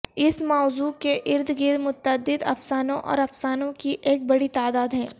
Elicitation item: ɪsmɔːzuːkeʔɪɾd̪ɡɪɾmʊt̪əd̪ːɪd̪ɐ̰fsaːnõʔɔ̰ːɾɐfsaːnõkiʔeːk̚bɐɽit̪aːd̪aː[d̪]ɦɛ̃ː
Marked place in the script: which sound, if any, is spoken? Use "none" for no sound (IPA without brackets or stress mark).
d̪